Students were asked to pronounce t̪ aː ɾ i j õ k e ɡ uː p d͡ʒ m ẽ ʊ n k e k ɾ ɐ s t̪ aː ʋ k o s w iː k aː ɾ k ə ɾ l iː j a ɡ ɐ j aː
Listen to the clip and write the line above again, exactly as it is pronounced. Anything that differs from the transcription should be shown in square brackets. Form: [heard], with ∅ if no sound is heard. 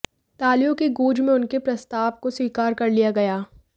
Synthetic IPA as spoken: t̪ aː [l] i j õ k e ɡ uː [∅] d͡ʒ m ẽ ʊ n k e [p] ɾ ɐ s t̪ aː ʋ k o s w iː k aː ɾ k [ɐ] ɾ l [i] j a ɡ ɐ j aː